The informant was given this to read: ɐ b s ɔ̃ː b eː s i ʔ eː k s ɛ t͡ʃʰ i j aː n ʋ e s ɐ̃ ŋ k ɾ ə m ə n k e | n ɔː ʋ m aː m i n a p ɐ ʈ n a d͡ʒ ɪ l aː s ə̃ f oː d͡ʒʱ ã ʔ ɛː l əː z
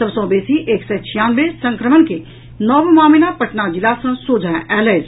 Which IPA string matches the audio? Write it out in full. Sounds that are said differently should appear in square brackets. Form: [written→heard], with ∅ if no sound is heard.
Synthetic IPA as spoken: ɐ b s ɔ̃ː b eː s i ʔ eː k s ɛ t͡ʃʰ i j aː n ʋ e s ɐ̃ ŋ k ɾ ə m ə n k e | n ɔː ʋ m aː m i n a p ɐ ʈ n a d͡ʒ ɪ l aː s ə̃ [f→s] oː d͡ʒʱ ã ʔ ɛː l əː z